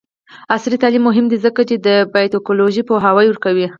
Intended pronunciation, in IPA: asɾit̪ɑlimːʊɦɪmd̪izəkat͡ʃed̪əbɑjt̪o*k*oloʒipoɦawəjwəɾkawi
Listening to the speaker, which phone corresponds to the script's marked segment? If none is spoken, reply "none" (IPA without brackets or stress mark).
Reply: k